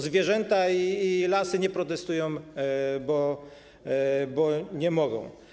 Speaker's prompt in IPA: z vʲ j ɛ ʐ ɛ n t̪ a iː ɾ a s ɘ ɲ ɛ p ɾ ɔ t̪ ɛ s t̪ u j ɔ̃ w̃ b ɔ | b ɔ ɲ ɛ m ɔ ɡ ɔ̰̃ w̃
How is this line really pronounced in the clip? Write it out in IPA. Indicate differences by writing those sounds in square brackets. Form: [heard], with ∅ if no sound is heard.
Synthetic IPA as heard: z vʲ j ɛ ʐ ɛ n t̪ a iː [l] a s ɘ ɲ ɛ p ɾ ɔ t̪ ɛ s t̪ u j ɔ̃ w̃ b ɔ | b ɔ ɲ ɛ m ɔ ɡ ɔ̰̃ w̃